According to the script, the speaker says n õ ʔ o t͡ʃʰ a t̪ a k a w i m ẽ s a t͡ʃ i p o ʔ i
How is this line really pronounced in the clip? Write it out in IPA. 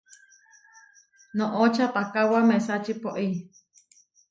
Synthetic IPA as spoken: n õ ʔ o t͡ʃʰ a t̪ a k a w a m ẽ s a t͡ʃ i p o ʔ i